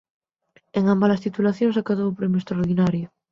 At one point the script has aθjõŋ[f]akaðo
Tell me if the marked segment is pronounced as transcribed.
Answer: no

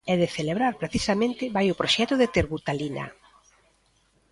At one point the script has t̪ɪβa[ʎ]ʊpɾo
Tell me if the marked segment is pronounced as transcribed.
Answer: no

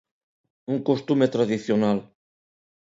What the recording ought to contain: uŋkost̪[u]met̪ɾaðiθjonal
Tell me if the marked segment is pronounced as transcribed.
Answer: yes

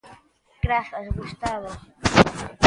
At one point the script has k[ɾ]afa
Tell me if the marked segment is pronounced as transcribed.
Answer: yes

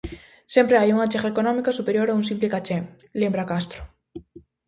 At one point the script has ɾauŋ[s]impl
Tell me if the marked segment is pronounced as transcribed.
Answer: yes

